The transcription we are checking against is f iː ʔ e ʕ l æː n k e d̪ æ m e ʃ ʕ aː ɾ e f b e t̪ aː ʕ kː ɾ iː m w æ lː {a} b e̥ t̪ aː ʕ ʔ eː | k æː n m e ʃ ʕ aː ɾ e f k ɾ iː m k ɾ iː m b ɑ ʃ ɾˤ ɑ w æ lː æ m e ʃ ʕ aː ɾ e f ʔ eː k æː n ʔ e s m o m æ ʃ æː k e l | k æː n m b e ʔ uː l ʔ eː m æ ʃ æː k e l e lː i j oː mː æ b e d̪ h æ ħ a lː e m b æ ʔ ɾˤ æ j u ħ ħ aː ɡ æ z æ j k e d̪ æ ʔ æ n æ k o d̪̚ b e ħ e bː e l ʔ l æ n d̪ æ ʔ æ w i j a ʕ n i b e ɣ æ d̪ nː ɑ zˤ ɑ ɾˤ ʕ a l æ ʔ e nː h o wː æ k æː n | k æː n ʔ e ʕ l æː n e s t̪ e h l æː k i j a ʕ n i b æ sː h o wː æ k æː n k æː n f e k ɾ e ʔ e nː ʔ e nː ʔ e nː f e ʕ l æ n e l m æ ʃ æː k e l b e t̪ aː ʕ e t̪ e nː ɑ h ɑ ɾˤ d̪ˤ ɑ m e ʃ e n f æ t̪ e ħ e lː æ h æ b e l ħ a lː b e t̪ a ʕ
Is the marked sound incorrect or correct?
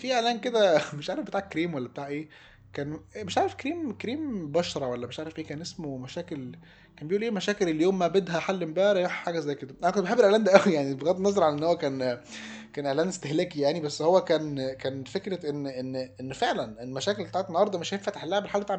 incorrect